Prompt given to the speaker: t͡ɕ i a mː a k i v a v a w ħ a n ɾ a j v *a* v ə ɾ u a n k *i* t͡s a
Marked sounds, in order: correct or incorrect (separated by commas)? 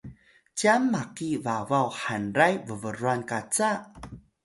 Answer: incorrect, incorrect